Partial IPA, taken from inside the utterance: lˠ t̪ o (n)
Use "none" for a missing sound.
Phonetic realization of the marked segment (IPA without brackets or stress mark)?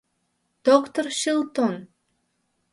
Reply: n